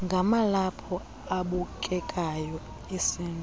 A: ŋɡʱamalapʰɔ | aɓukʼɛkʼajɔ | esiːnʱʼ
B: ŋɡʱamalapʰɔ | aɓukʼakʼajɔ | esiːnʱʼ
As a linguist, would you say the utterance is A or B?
A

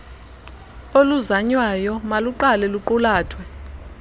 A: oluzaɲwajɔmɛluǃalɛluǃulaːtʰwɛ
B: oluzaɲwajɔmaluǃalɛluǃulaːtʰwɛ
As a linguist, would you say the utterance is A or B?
B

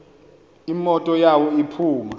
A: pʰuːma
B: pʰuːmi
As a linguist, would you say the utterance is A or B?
A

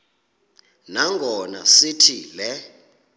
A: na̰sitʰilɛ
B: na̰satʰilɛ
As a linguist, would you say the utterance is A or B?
A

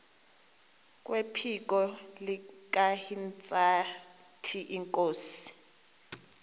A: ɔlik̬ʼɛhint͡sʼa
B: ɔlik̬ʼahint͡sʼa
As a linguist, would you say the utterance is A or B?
B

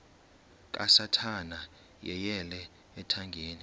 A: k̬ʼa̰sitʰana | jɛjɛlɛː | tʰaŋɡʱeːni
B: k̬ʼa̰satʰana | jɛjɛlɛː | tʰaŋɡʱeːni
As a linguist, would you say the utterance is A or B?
B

